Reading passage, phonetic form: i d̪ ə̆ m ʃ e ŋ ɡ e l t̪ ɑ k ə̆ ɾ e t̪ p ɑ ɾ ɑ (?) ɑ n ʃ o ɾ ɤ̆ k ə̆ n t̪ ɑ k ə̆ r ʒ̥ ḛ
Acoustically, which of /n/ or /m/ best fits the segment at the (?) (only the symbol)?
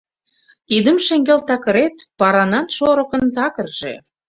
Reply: n